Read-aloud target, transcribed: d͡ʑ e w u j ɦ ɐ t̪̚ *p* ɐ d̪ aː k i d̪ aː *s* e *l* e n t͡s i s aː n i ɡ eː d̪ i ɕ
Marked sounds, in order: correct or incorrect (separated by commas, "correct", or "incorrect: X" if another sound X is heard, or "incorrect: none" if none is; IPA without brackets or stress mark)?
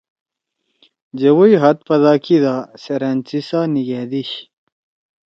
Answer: correct, correct, incorrect: ɾ